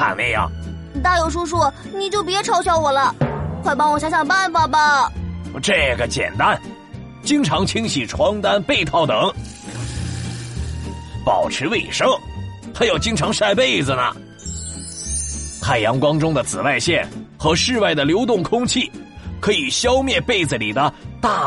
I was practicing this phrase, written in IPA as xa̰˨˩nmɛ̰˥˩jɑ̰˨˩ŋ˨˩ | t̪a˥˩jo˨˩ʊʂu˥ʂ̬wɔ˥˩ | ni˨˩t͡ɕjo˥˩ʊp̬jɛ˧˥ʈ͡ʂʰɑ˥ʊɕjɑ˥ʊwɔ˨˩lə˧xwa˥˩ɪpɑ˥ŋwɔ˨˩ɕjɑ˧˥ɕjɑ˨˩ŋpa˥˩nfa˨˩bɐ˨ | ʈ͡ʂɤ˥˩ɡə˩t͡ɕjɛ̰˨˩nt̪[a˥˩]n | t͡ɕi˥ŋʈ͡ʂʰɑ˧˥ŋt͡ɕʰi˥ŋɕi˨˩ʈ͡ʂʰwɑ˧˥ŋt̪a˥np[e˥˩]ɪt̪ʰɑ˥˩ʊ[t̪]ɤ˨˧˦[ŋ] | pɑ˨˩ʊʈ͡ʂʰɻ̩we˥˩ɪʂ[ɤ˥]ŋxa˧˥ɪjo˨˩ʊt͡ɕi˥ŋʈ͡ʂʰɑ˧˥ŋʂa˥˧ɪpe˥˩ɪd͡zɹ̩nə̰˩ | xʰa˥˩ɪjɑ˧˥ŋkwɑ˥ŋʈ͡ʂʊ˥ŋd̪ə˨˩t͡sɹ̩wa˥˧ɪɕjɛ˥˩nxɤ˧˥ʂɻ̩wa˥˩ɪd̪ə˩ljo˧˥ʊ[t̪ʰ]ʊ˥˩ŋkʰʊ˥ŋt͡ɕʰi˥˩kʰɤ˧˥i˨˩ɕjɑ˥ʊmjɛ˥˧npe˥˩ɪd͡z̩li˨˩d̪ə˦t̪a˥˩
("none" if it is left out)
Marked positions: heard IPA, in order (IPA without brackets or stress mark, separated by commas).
a˥, e˥˧, t̪, ŋ, ɤ˥, t̪